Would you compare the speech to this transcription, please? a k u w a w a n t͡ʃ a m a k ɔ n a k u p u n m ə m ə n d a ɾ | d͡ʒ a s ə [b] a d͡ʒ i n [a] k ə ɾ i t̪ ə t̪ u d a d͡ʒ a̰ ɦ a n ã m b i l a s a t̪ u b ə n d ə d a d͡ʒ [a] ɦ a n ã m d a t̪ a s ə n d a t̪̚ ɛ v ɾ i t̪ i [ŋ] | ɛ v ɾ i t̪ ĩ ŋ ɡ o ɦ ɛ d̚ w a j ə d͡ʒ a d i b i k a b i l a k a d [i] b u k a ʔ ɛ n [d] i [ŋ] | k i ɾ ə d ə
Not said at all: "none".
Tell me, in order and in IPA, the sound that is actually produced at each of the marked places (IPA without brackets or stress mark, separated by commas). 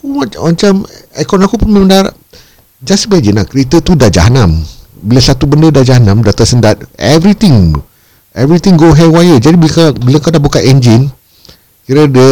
b, a, a, ŋ, a, d͡ʒ, n